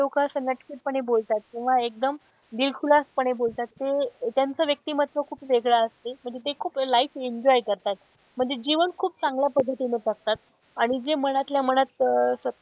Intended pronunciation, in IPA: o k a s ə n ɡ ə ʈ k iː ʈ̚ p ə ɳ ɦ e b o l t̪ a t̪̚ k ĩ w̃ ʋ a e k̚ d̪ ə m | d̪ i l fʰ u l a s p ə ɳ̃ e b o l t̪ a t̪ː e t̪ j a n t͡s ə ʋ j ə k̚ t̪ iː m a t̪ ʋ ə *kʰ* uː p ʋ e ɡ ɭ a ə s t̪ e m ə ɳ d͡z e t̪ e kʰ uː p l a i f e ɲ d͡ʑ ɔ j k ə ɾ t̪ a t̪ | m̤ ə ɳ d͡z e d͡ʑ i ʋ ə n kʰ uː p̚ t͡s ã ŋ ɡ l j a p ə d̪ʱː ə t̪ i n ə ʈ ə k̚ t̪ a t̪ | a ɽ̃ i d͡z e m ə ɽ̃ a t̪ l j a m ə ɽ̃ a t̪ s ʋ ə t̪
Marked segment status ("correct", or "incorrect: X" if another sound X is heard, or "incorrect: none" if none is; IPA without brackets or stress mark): correct